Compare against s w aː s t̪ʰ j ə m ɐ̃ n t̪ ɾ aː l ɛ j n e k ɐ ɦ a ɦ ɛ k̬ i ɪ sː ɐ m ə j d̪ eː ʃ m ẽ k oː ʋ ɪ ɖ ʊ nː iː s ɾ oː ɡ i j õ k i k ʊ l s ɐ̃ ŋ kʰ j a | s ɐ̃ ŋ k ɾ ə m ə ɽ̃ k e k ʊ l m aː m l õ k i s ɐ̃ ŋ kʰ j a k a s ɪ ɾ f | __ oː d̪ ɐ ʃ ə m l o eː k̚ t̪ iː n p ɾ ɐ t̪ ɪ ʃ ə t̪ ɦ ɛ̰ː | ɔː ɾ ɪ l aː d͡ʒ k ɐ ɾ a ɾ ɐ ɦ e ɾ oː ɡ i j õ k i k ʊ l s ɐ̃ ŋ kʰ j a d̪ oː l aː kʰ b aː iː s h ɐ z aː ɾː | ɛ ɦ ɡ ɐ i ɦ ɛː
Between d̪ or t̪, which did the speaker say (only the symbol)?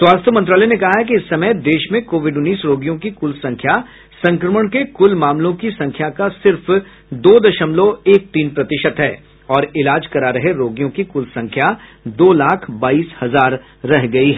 d̪